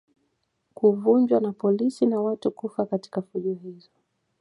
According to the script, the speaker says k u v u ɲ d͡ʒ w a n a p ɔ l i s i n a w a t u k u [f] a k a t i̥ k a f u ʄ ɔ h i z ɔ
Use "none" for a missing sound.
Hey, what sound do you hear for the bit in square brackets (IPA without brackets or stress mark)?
f